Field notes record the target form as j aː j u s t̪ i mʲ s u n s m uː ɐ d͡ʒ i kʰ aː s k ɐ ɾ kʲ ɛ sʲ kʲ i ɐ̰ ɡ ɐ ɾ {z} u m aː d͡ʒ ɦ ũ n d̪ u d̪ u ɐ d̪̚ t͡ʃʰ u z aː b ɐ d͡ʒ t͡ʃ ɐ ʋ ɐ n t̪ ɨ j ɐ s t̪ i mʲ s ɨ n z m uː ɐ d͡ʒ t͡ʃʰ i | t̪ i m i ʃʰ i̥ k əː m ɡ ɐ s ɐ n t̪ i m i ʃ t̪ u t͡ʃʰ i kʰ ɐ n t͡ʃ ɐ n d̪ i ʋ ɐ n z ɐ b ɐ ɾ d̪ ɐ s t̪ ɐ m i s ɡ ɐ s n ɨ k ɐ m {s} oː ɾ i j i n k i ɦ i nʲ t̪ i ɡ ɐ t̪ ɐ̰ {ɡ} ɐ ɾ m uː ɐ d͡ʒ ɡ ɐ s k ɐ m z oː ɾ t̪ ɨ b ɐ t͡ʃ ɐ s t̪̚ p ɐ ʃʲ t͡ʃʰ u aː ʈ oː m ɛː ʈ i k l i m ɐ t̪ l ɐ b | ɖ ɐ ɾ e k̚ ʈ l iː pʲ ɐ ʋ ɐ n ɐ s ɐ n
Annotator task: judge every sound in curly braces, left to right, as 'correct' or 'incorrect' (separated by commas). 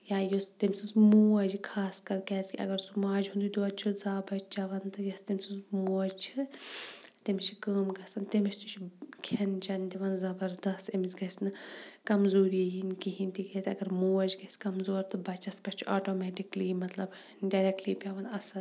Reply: incorrect, incorrect, correct